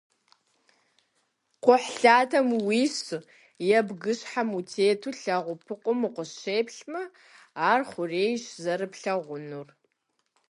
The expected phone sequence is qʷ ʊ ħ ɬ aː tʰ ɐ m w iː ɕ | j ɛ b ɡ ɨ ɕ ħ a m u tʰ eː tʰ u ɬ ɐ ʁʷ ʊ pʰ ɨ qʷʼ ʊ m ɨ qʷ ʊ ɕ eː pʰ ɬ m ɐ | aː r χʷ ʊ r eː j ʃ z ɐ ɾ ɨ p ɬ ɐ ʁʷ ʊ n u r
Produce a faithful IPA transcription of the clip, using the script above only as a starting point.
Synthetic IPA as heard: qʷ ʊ ħ ɬ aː tʰ ɐ m w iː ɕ | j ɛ b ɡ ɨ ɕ ħ a m u tʰ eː tʰ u ɬ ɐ ʁʷ ʊ pʰ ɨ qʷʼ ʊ m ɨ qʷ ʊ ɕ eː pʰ ɬ m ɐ | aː r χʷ ʊ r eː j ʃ z ɐ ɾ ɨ p ɬ ɐ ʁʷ ʊ n u r